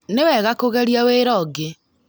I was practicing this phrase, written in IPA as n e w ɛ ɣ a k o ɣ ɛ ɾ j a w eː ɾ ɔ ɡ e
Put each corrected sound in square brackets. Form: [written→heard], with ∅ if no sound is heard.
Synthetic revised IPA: n e w ɛ ɣ a k o ɣ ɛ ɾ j a w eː ɾ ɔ ɡ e